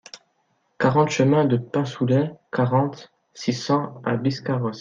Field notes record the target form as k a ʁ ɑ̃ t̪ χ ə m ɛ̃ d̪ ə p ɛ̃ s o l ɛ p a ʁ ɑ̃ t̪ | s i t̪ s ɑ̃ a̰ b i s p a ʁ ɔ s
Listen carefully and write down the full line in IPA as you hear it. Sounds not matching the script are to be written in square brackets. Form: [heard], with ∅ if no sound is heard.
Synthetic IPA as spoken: k a ʁ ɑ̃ t̪ [ʃ] ə m ɛ̃ d̪ ə p ɛ̃ s [u] l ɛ [k] a ʁ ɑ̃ t̪ | s i [∅] s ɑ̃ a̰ b i s [k] a ʁ ɔ s